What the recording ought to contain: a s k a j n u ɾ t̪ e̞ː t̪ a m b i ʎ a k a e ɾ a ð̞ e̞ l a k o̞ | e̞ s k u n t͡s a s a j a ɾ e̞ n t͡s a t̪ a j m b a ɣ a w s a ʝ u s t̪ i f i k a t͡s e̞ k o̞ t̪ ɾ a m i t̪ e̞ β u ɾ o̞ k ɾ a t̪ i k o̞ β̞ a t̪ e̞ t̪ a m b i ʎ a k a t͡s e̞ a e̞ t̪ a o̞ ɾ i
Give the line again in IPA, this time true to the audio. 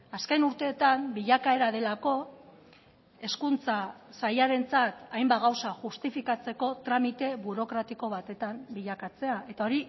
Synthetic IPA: a s k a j n u ɾ t̪ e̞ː t̪ a m b i ʎ a k a e ɾ a ð̞ e̞ l a k o̞ | e̞ s k u n t͡s a s a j a ɾ e̞ n t͡s a t̪ a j m b a ɣ a w s a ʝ u s t̪ i f i k a t͡s e̞ k o̞ t̪ ɾ a m i t̪ e̞ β u ɾ o̞ k ɾ a t̪ i k o̞ β̞ a t̪ e̞ t̪ a m b i ʎ a k a t͡s e̞ a e̞ t̪ a o̞ ɾ i